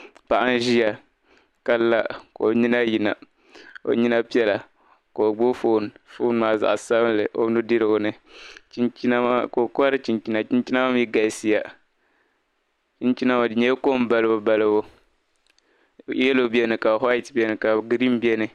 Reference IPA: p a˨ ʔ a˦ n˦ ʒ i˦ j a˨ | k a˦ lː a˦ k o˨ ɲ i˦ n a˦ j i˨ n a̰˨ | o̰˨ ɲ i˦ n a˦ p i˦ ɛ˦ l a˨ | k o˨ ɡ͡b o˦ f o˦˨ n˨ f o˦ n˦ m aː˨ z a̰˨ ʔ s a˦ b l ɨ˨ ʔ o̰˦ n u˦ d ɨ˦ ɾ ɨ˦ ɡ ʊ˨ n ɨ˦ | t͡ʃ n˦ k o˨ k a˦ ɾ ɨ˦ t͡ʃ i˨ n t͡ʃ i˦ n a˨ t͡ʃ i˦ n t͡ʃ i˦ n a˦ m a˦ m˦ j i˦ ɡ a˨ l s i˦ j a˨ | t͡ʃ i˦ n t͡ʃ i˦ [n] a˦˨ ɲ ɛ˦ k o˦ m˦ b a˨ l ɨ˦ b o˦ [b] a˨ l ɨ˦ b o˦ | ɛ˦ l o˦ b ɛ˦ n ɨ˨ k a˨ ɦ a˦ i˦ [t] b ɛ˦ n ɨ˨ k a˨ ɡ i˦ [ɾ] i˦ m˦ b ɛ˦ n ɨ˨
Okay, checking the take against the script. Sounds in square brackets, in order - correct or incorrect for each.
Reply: correct, correct, correct, correct

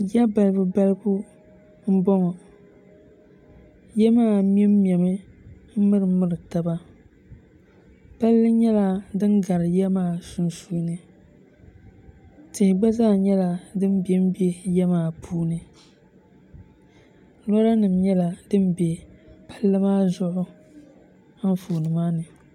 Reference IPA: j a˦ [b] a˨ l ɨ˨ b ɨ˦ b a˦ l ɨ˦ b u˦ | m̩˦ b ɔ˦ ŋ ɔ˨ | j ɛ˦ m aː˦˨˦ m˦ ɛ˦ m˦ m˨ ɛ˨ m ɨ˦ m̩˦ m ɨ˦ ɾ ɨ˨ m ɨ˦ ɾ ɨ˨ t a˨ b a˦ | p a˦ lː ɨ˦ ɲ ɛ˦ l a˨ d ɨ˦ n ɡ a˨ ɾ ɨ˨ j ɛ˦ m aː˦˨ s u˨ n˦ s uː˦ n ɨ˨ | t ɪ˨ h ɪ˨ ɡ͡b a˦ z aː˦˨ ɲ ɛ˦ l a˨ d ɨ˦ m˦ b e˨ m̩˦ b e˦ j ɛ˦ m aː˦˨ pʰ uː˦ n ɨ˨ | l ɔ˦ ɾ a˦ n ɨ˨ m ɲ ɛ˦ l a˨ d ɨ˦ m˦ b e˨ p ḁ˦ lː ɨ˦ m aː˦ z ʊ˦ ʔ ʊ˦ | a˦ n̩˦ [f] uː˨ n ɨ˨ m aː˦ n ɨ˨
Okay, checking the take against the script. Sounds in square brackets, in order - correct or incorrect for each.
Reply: correct, correct

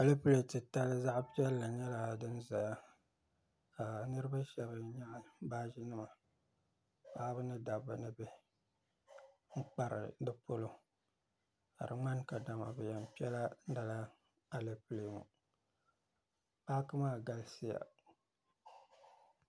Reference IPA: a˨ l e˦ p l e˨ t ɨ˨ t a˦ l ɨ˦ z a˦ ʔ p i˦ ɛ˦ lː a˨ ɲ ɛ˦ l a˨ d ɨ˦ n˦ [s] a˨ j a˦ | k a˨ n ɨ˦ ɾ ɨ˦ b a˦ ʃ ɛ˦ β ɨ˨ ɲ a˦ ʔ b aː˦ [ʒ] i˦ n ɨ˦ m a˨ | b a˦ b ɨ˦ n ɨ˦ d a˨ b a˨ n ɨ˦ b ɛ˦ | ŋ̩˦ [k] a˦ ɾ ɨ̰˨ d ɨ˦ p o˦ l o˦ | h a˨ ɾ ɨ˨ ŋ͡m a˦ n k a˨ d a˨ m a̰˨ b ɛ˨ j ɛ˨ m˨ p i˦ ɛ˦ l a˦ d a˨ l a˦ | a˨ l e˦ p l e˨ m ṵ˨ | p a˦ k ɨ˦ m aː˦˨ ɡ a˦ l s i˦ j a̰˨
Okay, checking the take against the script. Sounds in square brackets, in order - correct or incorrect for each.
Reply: incorrect: z, correct, incorrect: k͡p

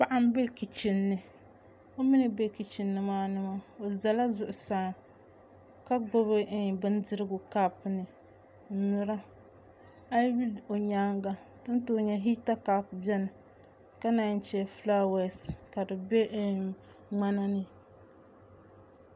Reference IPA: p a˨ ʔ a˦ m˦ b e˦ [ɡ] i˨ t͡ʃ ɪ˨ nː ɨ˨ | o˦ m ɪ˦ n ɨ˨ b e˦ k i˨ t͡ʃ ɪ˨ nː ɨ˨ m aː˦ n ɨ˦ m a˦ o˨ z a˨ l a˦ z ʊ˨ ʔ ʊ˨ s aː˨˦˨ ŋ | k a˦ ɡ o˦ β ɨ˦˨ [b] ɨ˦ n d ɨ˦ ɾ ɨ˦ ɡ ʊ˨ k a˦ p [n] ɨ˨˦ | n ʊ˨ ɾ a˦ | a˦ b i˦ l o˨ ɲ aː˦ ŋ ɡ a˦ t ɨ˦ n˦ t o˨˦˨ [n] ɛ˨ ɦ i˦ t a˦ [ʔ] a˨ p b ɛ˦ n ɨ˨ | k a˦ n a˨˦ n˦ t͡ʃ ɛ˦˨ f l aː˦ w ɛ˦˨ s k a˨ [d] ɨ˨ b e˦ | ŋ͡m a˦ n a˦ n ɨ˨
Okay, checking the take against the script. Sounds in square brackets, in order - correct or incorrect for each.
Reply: incorrect: k, correct, correct, incorrect: ɲ, incorrect: k, correct

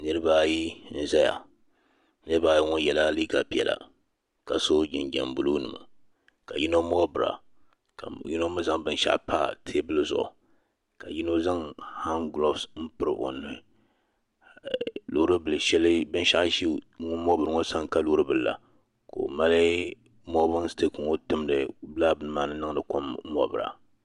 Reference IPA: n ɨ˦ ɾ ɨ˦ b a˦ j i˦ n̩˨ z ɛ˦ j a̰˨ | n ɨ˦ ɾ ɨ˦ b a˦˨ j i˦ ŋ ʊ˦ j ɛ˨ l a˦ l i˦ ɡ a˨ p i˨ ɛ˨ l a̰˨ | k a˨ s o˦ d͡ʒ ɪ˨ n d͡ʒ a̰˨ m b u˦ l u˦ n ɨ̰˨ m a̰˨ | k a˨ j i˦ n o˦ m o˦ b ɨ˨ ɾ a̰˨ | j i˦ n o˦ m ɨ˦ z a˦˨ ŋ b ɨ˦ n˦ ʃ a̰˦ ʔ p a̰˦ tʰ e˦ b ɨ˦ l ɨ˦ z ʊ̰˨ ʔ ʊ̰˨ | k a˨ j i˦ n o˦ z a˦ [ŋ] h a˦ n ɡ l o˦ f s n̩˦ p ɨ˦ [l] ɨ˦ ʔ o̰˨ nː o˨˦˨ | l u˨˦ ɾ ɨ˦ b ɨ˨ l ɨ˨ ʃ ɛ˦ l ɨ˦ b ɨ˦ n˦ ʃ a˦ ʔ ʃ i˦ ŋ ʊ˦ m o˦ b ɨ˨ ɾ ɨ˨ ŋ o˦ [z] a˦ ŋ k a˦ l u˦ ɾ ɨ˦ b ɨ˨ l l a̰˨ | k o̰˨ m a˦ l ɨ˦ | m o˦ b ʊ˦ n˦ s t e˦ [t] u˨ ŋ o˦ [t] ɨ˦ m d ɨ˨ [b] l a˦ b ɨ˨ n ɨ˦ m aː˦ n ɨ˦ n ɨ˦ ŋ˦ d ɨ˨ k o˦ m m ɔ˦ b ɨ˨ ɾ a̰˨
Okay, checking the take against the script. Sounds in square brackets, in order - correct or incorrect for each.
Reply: correct, incorrect: ɾ, incorrect: s, incorrect: k, correct, correct

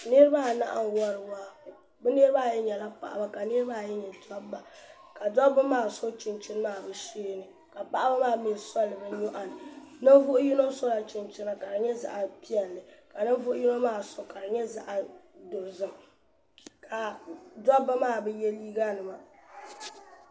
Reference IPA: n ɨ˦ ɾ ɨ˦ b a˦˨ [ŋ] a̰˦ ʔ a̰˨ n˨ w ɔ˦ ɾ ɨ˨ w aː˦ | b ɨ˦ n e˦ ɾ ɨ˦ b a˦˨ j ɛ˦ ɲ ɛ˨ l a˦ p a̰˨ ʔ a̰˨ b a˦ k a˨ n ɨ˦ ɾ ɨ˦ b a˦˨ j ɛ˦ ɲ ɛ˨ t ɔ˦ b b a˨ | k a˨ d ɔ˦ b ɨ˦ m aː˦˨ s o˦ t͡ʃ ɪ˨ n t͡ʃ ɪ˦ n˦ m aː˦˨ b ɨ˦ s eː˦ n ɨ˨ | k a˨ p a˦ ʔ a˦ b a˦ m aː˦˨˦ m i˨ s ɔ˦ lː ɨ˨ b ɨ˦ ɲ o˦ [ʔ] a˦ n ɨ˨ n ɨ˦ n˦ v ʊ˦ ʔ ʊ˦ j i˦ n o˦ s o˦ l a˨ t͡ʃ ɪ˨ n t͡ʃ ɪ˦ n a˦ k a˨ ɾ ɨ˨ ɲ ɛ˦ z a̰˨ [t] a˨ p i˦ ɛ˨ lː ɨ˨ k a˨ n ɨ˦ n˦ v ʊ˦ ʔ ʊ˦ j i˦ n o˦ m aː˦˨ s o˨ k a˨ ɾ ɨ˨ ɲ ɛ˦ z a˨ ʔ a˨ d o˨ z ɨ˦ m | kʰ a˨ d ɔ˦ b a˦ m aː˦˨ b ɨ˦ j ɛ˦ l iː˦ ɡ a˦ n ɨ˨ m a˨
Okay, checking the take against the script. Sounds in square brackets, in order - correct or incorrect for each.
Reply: incorrect: n, correct, incorrect: ʔ

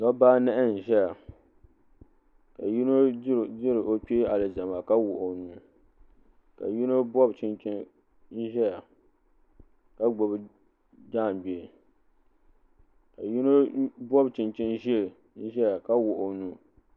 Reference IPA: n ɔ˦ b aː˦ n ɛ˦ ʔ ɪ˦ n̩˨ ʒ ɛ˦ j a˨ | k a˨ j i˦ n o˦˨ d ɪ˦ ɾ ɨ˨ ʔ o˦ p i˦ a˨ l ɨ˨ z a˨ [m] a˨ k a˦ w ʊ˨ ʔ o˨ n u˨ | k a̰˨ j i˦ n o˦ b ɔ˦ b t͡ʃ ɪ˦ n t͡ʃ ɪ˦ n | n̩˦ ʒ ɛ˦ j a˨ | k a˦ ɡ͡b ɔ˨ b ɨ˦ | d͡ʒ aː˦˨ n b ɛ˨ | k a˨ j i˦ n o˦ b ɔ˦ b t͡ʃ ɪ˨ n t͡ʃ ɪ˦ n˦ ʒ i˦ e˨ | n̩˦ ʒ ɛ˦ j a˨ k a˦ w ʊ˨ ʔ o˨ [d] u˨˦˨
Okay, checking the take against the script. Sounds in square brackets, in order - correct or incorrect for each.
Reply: correct, incorrect: n

